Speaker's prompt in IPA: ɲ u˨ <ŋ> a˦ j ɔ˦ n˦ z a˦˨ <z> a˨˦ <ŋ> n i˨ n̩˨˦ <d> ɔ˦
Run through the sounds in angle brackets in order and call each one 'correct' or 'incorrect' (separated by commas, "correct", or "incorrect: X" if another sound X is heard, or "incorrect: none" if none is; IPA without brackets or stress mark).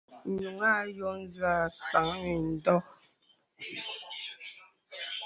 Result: correct, incorrect: s, correct, correct